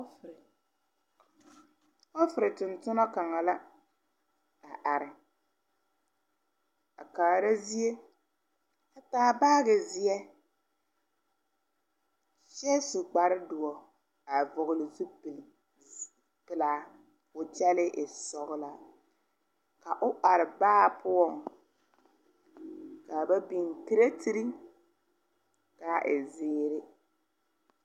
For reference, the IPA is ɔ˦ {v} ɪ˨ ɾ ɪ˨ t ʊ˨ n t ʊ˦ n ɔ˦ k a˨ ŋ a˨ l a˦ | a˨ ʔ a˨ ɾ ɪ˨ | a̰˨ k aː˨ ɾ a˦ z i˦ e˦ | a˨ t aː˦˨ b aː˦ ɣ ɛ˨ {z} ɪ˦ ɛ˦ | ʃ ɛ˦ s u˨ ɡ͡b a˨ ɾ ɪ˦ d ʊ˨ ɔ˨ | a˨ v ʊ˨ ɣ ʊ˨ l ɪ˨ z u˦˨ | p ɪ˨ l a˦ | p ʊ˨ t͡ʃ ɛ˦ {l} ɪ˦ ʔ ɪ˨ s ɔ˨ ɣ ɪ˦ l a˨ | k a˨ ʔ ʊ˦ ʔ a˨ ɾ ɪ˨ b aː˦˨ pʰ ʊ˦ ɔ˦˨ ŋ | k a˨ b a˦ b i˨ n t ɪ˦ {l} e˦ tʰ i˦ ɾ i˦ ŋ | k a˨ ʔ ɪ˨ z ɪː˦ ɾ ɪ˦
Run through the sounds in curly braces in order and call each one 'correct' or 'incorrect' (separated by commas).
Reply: incorrect, correct, correct, incorrect